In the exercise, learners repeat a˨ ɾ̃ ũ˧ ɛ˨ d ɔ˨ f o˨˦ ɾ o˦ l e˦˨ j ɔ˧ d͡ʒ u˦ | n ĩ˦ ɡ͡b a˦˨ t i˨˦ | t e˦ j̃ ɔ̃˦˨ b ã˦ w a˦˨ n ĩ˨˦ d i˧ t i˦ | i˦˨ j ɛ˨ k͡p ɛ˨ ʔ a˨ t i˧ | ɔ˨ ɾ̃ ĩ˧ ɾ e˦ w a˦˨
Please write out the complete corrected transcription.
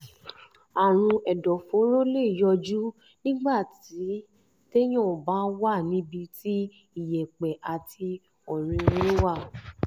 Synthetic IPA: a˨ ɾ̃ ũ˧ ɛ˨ d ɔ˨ f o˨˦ ɾ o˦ l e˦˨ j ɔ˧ d͡ʒ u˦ | n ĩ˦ ɡ͡b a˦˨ t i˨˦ | t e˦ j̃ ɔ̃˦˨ b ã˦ w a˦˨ n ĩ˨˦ b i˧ t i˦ | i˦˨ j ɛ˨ k͡p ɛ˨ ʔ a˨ t i˧ | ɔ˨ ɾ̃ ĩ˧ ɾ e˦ w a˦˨